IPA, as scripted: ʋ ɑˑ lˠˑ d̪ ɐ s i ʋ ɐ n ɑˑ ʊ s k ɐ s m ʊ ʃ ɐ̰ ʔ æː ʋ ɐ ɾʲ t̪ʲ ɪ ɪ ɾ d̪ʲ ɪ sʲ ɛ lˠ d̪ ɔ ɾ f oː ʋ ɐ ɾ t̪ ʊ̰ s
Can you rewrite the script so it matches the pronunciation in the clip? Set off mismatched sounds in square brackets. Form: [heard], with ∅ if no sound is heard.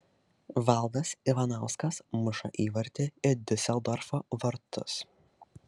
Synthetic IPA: ʋ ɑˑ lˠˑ d̪ ɐ s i ʋ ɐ n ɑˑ ʊ s k ɐ s m ʊ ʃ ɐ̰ ʔ [iː] ʋ ɐ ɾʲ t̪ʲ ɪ ɪ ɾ d̪ʲ ɪ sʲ ɛ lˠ d̪ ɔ ɾ f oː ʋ ɐ ɾ t̪ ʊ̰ s